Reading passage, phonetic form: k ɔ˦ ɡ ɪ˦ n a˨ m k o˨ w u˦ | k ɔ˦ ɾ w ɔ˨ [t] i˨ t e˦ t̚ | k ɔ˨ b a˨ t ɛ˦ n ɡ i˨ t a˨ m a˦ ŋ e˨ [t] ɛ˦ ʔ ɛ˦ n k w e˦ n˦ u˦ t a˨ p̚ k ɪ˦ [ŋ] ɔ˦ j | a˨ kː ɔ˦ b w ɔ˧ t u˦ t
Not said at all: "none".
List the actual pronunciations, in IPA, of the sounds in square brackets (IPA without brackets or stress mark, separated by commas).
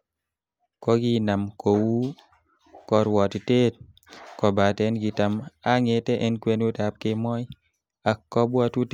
t, t, m